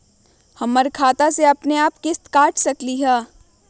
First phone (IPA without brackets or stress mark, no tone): h